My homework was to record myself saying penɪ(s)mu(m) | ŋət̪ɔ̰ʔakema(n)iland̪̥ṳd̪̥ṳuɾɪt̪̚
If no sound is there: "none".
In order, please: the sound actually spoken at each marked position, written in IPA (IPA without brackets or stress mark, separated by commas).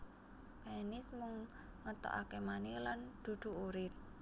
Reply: s, ŋ, n